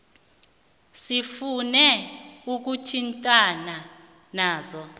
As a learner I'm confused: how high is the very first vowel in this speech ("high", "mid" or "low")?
high